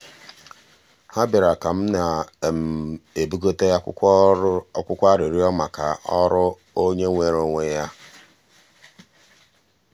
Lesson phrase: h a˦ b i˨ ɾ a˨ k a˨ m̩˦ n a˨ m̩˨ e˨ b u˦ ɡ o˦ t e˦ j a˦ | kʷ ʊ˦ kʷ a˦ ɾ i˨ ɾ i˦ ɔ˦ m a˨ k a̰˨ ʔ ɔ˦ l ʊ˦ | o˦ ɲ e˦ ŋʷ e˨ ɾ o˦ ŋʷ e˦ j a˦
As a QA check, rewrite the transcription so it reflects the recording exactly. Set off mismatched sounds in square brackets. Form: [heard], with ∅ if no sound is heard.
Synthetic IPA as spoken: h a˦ b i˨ ɾ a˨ k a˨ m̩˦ n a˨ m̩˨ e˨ b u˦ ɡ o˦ t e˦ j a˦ | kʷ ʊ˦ kʷ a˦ ɾ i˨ ɾ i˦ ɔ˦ m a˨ k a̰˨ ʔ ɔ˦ [ɾ] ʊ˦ | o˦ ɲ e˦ ŋʷ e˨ ɾ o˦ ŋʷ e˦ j a˦